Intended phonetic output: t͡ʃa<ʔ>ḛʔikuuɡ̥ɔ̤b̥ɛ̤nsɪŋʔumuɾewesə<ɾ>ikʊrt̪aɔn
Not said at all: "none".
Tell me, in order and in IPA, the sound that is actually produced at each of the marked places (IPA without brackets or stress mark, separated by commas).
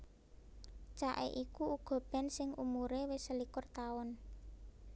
ʔ, l